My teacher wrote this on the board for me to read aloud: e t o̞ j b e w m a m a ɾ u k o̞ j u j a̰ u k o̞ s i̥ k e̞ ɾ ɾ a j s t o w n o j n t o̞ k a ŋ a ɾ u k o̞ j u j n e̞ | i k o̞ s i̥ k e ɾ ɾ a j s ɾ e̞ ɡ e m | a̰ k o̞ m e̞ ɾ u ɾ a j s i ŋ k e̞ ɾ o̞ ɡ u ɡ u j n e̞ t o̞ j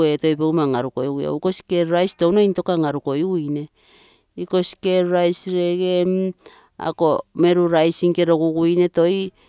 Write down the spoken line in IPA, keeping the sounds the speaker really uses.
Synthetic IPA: e t o̞ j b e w m a ŋ a ɾ u k o̞ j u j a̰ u k o̞ s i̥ k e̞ ɾ ɾ a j s t o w n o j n t o̞ k a ŋ a ɾ u k o̞ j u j n e̞ | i k o̞ s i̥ k e ɾ ɾ a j s ɾ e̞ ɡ e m | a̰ k o̞ m e̞ ɾ u ɾ a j s i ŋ k e̞ ɾ o̞ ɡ u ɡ u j n e̞ t o̞ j